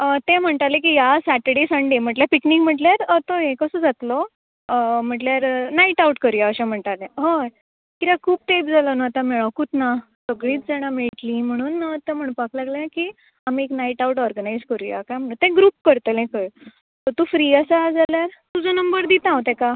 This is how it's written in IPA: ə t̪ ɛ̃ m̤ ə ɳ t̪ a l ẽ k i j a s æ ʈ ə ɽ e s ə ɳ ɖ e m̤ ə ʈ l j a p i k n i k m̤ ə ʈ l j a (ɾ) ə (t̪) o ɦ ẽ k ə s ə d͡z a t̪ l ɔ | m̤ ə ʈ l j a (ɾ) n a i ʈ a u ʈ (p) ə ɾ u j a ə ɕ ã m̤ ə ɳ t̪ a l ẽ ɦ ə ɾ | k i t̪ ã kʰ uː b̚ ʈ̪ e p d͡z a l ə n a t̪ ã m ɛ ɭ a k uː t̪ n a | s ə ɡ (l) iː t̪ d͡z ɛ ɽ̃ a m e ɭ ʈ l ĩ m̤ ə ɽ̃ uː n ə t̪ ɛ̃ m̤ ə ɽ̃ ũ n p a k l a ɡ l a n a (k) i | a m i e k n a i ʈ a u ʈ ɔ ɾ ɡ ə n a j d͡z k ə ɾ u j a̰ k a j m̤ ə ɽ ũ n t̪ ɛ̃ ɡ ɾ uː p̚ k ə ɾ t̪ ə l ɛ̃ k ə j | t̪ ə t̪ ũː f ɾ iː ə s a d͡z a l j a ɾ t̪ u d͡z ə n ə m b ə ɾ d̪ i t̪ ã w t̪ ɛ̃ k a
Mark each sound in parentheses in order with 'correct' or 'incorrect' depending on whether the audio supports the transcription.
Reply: correct, correct, correct, incorrect, incorrect, correct

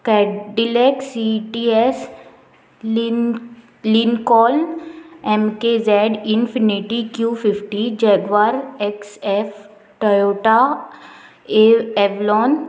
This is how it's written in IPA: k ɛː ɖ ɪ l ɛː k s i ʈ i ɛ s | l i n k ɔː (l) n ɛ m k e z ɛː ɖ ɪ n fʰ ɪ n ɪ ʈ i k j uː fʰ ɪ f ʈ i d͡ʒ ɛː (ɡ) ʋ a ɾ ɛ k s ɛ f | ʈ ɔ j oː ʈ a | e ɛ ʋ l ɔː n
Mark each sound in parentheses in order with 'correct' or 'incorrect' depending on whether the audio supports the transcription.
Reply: correct, correct

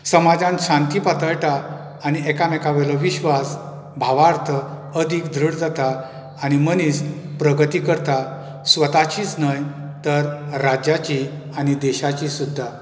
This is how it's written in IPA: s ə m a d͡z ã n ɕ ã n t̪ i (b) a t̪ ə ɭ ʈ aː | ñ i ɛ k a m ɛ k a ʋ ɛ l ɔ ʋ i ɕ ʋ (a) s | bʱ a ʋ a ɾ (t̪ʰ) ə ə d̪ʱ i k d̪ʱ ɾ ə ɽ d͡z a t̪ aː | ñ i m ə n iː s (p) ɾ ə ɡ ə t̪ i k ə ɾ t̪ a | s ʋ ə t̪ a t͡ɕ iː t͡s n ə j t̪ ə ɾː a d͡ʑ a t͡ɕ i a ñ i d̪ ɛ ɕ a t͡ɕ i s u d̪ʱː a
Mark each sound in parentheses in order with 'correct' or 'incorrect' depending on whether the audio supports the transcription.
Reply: incorrect, correct, correct, correct

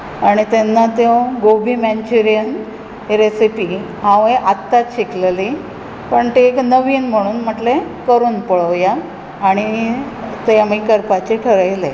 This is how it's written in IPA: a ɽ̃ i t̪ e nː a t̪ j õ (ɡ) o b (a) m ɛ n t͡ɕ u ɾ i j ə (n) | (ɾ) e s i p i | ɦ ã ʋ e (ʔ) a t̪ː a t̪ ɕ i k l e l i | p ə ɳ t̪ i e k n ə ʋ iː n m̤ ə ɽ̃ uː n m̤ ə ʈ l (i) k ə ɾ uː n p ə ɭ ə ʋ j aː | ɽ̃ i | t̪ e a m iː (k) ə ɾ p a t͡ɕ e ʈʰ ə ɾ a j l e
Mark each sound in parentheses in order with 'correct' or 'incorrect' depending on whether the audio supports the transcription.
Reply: correct, incorrect, correct, correct, correct, incorrect, correct

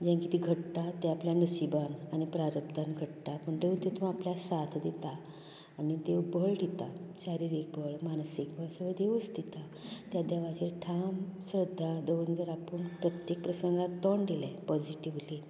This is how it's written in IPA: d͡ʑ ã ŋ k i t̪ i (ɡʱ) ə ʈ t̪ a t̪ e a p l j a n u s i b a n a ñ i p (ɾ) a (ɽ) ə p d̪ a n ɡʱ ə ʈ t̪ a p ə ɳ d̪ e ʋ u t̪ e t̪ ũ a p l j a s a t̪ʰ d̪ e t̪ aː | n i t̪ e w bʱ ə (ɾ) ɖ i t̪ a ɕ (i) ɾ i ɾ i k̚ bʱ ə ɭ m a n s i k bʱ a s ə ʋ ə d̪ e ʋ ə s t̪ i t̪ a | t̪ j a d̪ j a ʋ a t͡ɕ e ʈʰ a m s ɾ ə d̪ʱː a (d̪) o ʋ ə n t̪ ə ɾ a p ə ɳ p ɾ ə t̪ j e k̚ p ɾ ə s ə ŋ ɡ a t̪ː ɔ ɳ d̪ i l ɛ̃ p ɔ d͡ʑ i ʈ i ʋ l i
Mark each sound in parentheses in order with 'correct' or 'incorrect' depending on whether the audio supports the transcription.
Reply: correct, correct, incorrect, incorrect, incorrect, correct

